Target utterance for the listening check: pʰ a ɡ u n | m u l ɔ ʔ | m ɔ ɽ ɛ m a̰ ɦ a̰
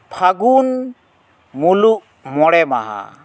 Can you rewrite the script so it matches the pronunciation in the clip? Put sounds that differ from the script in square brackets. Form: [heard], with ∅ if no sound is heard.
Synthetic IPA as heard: pʰ a ɡ u n | m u l [u] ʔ | m ɔ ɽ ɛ m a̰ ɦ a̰